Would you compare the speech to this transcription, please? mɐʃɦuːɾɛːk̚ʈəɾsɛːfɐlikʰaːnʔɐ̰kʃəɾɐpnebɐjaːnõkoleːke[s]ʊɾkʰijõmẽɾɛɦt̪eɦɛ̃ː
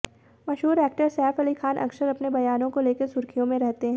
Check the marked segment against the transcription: correct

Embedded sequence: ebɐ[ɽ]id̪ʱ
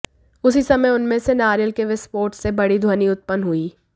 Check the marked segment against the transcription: correct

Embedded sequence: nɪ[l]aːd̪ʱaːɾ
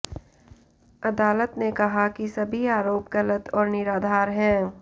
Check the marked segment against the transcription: incorrect: ɾ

